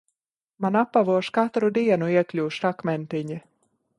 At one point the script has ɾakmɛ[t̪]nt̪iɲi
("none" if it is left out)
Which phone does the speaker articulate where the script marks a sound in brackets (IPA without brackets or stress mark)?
none